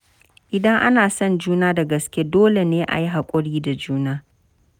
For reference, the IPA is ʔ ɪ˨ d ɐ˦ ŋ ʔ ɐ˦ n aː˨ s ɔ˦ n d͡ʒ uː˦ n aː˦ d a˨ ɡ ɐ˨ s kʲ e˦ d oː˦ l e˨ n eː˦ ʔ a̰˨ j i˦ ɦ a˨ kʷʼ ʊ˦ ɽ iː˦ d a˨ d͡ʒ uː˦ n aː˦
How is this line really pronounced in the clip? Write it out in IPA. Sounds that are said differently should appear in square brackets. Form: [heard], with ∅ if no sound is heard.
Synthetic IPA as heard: ʔ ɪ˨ d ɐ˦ ŋ ʔ [a˦] n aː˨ s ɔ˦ n d͡ʒ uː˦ n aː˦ d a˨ ɡ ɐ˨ s kʲ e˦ d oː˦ l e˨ n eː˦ ʔ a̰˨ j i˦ ɦ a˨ kʷʼ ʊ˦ ɽ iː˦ d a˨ d͡ʒ uː˦ n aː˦